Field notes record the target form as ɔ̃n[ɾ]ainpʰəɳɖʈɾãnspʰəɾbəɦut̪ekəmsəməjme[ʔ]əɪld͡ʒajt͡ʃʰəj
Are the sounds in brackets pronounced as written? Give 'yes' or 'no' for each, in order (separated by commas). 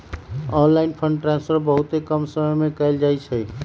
no, no